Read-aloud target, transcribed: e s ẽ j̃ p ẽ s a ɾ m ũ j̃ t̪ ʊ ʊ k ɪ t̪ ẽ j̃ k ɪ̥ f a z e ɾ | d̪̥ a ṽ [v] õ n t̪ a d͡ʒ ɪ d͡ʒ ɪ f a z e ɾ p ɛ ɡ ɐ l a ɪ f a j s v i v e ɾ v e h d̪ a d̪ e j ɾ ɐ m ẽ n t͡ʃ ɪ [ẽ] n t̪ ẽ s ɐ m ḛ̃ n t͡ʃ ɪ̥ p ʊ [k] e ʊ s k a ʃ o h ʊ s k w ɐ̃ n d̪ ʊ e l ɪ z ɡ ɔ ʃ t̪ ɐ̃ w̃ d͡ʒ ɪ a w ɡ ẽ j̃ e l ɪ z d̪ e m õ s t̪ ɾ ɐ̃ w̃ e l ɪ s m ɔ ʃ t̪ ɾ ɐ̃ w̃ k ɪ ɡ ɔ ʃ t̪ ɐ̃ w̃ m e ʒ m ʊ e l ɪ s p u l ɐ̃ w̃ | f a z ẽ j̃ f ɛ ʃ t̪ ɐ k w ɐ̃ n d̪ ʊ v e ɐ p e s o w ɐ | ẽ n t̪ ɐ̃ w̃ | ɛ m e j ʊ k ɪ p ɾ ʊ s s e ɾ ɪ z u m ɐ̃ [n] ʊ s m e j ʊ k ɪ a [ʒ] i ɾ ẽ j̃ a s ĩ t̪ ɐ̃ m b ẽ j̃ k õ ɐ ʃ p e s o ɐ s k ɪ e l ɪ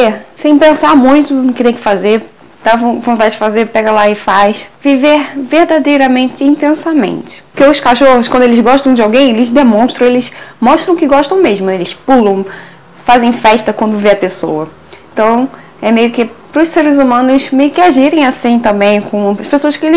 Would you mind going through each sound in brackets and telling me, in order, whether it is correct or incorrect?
correct, incorrect, correct, correct, correct

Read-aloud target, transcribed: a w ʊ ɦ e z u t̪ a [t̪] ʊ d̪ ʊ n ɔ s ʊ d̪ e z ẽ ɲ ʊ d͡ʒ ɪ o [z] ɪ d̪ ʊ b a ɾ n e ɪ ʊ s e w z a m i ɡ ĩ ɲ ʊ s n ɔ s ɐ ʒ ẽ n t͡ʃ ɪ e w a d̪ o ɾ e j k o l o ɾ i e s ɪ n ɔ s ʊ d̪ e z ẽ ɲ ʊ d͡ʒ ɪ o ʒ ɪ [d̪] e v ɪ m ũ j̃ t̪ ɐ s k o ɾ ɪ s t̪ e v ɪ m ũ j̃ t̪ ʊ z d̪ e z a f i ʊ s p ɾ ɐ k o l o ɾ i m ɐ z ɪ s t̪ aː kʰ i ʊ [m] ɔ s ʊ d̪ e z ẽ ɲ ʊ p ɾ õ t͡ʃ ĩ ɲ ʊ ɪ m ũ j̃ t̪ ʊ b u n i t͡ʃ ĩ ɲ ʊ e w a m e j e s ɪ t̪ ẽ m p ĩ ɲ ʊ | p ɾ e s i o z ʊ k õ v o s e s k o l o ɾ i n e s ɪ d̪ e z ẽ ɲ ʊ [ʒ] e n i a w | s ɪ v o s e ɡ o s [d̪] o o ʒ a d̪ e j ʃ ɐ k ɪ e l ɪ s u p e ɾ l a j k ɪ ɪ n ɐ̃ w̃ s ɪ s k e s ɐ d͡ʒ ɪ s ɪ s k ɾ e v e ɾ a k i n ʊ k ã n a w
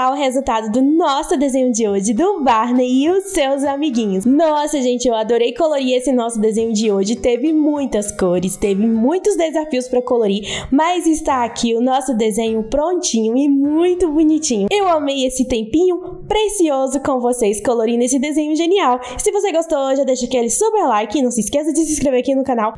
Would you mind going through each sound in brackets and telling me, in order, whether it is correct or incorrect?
incorrect, incorrect, incorrect, incorrect, correct, incorrect

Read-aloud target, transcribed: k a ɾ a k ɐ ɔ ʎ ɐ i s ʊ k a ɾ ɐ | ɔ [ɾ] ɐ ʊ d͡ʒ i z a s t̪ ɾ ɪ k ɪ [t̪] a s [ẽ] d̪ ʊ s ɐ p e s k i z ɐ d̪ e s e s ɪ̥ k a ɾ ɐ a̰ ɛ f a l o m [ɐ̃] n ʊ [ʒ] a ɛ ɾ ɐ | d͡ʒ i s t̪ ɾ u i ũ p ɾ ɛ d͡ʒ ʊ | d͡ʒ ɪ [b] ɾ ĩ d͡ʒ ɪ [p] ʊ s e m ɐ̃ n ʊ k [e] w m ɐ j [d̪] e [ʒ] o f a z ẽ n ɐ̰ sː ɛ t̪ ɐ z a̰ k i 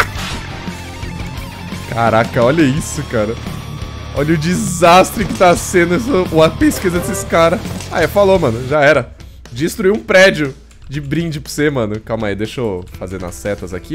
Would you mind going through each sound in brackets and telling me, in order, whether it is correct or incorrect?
incorrect, correct, correct, correct, correct, correct, correct, incorrect, correct, incorrect

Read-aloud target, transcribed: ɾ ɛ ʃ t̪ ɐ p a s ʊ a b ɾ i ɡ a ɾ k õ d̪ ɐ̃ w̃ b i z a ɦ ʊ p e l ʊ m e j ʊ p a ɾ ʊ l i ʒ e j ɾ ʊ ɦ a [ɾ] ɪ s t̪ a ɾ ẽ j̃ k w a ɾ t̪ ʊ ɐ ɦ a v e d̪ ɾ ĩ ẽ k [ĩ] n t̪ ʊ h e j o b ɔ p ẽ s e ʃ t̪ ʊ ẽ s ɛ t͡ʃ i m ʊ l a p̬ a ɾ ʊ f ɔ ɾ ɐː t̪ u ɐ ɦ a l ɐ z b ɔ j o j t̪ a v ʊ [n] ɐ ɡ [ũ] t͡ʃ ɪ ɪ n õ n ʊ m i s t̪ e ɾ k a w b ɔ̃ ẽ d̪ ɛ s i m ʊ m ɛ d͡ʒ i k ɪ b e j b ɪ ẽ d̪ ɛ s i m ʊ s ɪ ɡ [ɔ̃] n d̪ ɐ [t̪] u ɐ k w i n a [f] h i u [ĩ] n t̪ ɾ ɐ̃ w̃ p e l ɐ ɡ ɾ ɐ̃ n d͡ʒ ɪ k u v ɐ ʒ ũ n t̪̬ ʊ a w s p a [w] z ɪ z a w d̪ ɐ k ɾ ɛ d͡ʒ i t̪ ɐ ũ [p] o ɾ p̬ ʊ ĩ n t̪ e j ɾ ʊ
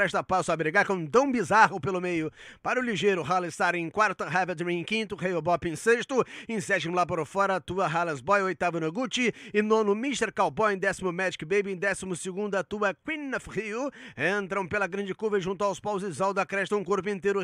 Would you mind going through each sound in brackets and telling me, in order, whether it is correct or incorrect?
incorrect, correct, correct, incorrect, incorrect, correct, correct, incorrect, correct, incorrect

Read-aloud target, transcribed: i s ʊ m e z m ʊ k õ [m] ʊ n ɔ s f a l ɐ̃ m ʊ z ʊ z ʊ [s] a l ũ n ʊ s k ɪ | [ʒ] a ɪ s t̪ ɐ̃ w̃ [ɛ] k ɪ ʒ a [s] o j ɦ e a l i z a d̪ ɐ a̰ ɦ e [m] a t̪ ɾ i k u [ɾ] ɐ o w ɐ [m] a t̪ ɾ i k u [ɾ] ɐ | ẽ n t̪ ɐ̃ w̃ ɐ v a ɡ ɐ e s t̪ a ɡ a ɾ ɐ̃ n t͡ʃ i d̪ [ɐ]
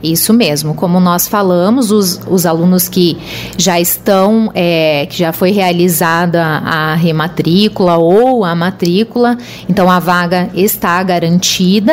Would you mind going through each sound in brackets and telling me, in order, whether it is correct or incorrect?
correct, incorrect, correct, correct, incorrect, correct, incorrect, correct, incorrect, correct

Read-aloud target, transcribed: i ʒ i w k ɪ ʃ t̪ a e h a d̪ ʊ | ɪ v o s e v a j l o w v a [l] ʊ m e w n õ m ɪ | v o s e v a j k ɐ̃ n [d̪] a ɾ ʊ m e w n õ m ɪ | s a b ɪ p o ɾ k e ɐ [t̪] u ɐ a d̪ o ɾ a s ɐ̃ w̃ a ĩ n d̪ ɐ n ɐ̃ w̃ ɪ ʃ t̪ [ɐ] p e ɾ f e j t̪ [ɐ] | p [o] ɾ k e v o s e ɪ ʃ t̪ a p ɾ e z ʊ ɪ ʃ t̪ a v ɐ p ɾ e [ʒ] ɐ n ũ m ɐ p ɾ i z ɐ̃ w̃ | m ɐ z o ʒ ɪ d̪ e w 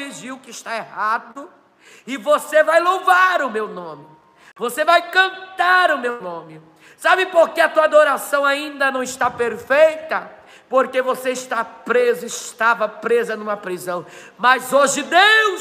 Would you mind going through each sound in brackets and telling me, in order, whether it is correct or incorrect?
incorrect, incorrect, correct, incorrect, correct, correct, incorrect

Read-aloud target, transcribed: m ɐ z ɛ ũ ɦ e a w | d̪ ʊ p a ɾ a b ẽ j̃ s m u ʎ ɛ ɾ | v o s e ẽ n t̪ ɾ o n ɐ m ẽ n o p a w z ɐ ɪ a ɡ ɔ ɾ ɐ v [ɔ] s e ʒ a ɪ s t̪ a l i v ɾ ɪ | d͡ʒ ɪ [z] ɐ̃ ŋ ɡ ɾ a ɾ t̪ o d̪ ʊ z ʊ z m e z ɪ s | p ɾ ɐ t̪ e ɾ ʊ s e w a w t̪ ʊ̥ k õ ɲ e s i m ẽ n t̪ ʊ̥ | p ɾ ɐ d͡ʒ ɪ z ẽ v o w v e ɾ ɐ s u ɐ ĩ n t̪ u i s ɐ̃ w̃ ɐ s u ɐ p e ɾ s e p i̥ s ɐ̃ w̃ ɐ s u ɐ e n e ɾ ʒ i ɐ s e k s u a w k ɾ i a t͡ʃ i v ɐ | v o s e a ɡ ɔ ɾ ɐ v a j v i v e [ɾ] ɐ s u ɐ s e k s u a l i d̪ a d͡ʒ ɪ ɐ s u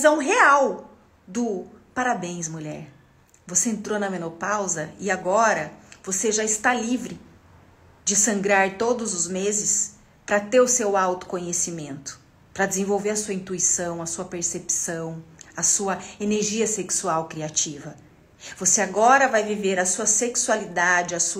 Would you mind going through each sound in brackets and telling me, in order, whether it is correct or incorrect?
incorrect, incorrect, correct

